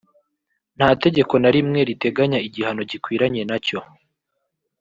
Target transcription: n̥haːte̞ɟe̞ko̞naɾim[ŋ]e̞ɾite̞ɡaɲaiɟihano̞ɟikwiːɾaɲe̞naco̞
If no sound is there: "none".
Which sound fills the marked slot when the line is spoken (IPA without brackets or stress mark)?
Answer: ŋ